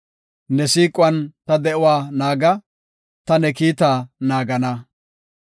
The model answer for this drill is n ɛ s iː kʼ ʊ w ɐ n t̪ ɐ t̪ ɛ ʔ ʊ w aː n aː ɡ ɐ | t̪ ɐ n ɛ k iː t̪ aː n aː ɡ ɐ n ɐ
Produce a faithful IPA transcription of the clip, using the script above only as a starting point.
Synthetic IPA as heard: n ɛ s iː kʼ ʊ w ɐ n t̪ ɐ d̪ ɛ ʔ ʊ w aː n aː ɡ ɐ | t̪ ɐ n ɛ k iː t̪ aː n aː ɡ ɐ n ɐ